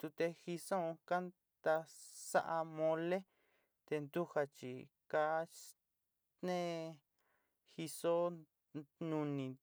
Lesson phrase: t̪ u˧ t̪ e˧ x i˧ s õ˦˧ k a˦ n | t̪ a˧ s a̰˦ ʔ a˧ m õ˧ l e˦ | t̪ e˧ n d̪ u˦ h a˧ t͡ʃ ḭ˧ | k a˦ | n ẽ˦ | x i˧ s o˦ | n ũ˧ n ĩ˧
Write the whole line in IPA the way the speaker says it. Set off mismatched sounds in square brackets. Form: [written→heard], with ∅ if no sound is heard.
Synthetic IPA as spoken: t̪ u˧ t̪ e˧ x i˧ s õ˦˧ k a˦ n | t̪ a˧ s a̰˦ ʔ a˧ m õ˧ l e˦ | t̪ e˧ n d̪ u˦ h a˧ t͡ʃ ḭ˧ | k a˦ | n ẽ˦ | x i˧ s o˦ | n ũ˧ n ĩ˧